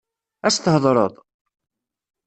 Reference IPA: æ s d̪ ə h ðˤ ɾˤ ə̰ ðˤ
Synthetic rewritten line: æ s t̪ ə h ðˤ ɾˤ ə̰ ðˤ